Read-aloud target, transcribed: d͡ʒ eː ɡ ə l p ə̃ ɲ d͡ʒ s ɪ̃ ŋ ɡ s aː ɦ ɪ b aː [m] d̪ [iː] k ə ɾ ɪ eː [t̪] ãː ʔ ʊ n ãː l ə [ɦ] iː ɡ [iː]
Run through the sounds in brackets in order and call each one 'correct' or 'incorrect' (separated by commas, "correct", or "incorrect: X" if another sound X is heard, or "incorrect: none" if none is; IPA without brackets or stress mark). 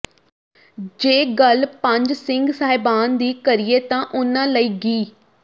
incorrect: n, correct, correct, incorrect: none, correct